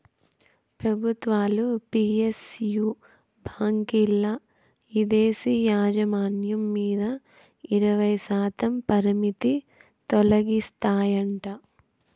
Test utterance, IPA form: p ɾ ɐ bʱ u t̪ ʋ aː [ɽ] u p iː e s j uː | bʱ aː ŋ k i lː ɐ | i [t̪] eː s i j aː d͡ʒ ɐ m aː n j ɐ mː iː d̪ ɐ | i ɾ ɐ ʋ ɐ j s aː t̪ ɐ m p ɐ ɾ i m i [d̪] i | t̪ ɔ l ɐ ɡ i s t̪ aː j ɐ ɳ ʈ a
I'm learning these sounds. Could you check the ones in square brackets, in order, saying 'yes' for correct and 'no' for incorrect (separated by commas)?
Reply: no, no, no